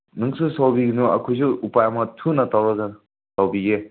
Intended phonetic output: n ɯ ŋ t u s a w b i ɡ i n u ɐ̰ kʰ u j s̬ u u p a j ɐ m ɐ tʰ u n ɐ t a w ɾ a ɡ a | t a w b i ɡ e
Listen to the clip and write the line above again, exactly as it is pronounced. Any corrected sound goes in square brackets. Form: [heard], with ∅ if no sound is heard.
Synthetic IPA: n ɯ ŋ [s] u s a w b i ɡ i n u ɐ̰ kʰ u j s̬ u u p a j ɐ m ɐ tʰ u n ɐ t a w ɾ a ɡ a | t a w b i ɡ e

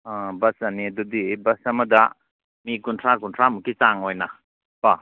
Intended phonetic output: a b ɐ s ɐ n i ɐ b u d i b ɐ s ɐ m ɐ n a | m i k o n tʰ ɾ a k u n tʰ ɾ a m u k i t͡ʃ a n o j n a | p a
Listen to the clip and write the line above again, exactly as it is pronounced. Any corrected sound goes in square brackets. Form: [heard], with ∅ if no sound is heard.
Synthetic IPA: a b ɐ s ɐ n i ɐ [d] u d i b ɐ s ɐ m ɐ [d] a | m i k [u] n tʰ ɾ a k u n tʰ ɾ a m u k i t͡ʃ a [ŋ] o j n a | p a

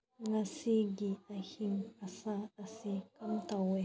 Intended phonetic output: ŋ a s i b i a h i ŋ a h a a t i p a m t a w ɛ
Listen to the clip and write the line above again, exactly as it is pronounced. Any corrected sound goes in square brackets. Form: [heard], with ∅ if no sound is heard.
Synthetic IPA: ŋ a s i [ɡ] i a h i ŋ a [s] a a [s] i [k] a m t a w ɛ

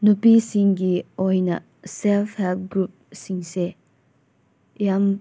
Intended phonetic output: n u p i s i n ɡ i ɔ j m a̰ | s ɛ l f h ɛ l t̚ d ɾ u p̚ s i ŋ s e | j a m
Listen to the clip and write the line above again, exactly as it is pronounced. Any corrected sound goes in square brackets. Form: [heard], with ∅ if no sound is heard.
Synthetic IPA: n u p i s i [ŋ] ɡ i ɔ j [n] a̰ | s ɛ l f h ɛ l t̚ [ɡ] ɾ u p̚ s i ŋ s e | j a m

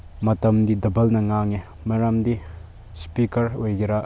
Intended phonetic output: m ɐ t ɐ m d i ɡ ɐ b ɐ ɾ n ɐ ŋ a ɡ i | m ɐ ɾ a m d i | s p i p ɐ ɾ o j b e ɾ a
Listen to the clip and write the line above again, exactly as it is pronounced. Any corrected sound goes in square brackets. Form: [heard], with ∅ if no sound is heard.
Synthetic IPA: m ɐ t ɐ m d i [d] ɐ b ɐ [l] n ɐ ŋ a [ŋ] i | m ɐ ɾ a m d i | s p i [k] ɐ ɾ o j [ɡ] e ɾ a

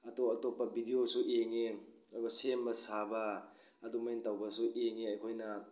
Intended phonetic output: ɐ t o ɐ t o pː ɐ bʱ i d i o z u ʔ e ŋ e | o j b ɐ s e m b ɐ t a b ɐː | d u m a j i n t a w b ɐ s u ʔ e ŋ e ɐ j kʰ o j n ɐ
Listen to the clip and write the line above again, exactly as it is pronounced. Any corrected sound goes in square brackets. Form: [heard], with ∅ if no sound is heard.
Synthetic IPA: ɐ t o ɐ t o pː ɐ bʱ i d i o [s] u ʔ e ŋ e | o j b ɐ s e m b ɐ [s] a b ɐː | d u m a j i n t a w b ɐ s u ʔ e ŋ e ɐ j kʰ o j n ɐ

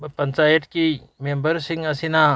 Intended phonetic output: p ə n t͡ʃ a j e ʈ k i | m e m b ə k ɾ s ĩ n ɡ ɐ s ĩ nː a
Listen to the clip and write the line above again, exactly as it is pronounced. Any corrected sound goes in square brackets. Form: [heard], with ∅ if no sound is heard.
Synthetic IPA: p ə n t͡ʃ a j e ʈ k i | m e m b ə [∅] ɾ s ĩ [ŋ] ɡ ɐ s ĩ [n] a

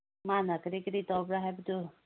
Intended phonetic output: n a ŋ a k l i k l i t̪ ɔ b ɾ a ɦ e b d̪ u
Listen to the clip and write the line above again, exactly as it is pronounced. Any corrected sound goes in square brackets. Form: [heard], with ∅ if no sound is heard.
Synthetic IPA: [m] a [n] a k [ɾ] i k [ɾ] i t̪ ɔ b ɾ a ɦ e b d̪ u

